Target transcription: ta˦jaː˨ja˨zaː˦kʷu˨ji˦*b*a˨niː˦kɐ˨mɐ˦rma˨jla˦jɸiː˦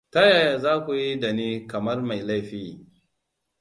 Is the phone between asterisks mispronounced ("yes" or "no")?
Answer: yes